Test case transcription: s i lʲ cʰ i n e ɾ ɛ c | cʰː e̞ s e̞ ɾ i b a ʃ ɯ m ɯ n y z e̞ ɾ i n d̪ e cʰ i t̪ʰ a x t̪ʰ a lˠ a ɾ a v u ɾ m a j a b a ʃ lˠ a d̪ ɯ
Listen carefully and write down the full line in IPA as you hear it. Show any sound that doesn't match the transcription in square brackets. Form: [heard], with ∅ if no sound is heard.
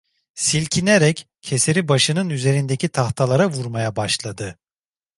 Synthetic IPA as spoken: s i lʲ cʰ i n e ɾ ɛ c | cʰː e̞ s e̞ ɾ i b a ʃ ɯ [n] ɯ n y z e̞ ɾ i n d̪ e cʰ i t̪ʰ a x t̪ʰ a lˠ a ɾ a v u ɾ m a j a b a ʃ lˠ a d̪ ɯ